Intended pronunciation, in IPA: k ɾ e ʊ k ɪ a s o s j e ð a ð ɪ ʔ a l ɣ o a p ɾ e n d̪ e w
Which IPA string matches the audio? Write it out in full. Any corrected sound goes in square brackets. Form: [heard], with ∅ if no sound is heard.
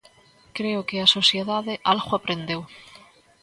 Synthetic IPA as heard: k ɾ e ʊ k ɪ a s o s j e ð a ð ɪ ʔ a l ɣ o a p ɾ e n d̪ e w